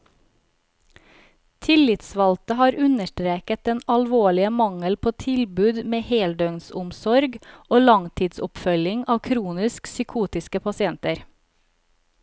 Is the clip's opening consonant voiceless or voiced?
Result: voiceless